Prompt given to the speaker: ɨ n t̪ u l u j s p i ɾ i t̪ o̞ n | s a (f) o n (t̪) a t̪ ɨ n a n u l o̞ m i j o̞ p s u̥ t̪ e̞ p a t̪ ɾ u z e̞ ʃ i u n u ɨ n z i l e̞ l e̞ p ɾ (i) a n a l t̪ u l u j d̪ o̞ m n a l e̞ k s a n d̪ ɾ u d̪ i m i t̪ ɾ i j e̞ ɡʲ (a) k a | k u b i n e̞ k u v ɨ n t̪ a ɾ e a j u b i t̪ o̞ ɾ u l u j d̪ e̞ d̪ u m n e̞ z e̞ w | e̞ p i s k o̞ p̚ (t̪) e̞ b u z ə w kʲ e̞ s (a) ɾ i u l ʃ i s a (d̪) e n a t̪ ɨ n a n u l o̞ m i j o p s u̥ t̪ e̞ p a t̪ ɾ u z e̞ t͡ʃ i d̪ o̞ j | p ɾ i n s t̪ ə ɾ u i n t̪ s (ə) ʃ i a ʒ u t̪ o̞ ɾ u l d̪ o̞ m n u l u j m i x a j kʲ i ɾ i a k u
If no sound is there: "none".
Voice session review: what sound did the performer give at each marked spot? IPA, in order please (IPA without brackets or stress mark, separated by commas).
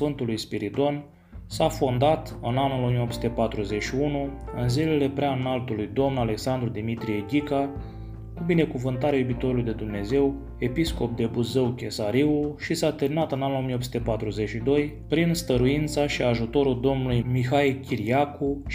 f, d̪, e, i, d̪, a, t̪, a